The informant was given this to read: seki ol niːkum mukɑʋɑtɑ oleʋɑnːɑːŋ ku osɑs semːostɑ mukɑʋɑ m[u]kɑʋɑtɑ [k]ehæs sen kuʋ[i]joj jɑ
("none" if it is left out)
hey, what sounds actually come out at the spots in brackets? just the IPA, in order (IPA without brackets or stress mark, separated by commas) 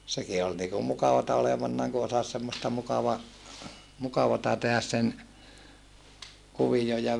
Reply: u, t, i